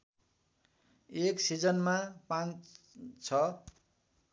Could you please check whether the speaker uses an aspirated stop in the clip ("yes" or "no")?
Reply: yes